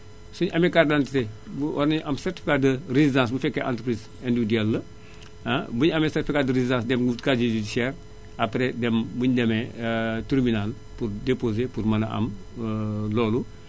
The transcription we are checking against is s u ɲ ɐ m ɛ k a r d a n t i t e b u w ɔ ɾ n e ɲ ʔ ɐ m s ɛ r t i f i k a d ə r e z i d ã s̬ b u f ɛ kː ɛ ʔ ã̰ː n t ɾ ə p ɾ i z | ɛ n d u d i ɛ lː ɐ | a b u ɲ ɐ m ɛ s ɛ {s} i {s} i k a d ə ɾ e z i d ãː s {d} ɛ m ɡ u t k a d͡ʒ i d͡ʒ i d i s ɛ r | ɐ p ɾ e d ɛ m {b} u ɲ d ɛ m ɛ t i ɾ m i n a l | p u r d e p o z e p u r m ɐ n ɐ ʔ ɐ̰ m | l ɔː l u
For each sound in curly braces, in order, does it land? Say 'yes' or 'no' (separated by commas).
no, no, yes, yes